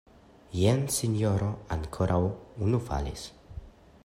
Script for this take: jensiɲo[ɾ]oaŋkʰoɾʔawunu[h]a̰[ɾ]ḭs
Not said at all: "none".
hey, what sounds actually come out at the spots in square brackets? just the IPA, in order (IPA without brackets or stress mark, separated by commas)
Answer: ɾ, f, l